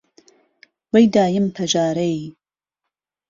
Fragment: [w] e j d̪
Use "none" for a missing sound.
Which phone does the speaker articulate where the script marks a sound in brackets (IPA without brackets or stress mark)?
w